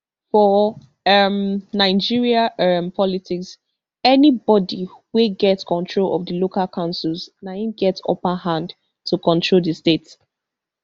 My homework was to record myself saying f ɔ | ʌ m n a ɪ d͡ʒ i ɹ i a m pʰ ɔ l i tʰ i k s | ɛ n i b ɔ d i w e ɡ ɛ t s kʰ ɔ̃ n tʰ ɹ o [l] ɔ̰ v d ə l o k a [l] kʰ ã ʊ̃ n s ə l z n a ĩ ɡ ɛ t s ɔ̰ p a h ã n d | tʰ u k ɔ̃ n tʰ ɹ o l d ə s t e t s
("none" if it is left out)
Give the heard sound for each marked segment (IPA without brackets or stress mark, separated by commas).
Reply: l, l